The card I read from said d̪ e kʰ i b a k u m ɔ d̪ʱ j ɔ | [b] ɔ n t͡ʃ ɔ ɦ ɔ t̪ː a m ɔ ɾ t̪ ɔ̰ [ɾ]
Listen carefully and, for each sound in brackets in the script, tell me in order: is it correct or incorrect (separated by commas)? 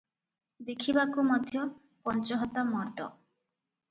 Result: incorrect, incorrect